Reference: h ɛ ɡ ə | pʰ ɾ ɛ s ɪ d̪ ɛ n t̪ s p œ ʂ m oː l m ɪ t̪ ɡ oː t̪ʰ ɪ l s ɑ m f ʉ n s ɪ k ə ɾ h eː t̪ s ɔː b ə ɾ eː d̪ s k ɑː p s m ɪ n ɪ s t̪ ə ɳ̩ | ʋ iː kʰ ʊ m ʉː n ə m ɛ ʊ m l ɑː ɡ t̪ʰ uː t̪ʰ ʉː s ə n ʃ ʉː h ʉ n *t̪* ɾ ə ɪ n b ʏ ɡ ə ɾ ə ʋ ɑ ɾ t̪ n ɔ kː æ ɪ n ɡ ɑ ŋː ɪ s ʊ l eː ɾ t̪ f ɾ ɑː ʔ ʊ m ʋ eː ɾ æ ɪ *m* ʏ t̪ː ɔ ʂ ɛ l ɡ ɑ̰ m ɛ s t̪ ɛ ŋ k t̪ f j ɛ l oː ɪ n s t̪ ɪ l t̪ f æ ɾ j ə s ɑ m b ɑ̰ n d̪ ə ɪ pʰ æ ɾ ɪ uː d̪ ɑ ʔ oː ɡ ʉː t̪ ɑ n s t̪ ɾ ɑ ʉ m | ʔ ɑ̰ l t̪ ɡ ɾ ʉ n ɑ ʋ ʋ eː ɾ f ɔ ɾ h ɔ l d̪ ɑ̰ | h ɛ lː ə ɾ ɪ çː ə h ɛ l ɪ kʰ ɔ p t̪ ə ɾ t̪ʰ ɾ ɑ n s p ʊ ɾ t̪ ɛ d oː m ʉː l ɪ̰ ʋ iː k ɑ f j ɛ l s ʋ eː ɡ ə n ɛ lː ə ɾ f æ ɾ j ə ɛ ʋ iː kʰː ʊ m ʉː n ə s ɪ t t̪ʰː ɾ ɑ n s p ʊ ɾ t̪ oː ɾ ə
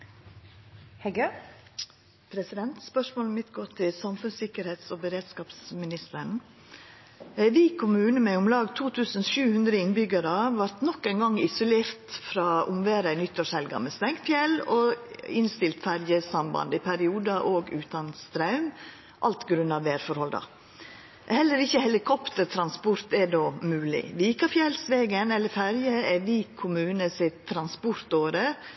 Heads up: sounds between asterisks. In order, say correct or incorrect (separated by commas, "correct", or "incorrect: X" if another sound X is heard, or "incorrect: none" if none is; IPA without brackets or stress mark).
incorrect: d̪, incorrect: n